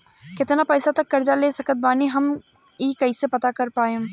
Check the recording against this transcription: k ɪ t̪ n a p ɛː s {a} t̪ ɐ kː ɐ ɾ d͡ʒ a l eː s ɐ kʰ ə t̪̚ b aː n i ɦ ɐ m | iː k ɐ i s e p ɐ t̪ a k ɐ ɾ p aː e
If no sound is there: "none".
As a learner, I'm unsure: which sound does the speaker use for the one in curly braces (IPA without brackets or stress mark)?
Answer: a